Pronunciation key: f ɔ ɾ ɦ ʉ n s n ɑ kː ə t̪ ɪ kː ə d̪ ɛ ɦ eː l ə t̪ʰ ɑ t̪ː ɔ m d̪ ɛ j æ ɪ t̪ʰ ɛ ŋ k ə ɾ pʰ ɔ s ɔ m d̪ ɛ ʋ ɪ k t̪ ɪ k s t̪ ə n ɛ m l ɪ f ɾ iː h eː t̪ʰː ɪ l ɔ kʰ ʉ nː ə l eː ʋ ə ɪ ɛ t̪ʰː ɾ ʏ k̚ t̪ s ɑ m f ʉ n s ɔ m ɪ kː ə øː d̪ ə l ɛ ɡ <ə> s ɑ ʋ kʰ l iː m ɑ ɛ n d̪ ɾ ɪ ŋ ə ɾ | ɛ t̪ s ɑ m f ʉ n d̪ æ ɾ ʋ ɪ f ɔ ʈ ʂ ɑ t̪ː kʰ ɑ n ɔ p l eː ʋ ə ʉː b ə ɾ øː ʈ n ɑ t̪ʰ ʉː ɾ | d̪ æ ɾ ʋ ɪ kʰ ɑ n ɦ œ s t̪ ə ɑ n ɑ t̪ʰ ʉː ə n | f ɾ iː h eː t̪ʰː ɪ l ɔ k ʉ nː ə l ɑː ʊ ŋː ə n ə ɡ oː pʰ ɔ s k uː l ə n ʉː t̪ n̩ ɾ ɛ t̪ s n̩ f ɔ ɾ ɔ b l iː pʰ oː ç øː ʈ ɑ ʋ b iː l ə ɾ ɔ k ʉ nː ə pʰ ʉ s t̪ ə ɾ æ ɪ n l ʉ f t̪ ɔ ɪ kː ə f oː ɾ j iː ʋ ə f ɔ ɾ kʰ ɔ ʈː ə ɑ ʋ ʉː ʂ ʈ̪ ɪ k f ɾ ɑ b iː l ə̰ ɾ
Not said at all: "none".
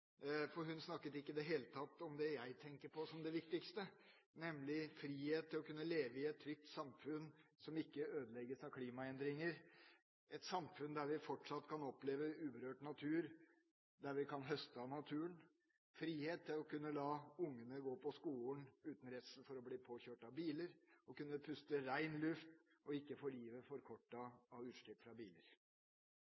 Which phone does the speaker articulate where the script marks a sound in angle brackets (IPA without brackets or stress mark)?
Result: ə